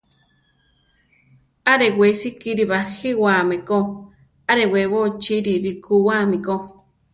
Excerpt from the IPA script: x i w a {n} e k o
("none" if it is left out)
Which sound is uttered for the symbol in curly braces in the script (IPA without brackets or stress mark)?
m